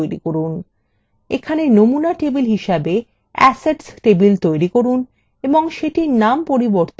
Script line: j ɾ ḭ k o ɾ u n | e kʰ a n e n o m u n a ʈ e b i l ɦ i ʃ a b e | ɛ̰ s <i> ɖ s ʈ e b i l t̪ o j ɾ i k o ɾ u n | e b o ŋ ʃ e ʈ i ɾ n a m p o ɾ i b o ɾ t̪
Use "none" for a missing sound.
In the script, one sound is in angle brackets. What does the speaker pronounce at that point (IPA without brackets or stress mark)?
e